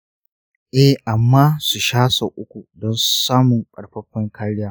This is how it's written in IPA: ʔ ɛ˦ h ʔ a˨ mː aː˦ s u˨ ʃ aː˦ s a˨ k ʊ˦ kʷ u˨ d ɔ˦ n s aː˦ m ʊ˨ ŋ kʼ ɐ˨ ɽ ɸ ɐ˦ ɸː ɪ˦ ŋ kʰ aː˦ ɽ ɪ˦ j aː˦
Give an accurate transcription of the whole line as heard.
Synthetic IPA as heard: ʔ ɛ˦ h ʔ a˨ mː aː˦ s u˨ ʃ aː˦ s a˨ ʔ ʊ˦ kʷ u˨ d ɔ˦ n s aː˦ m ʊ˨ ŋ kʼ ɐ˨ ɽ ɸ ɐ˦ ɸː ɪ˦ ŋ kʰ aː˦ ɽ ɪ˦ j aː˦